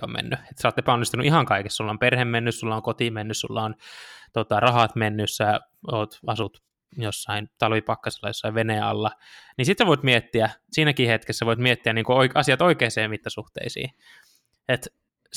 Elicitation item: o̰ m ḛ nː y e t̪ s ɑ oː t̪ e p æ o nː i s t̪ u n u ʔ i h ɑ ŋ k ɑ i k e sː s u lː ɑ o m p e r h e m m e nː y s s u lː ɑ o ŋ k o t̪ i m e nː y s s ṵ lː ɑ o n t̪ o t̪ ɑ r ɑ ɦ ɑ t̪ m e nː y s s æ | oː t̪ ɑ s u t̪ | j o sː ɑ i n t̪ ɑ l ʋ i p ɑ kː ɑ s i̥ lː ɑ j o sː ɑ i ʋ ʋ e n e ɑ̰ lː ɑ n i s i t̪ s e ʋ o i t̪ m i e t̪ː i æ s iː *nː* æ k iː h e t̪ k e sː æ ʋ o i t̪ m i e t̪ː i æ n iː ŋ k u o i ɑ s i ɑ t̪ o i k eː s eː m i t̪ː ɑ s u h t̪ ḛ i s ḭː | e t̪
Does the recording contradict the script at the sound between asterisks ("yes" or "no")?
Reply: yes